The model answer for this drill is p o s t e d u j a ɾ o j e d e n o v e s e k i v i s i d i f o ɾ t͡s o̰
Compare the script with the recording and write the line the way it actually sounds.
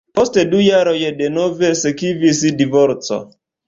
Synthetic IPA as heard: p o s t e d u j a ɾ o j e d e n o v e s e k i v i s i d i v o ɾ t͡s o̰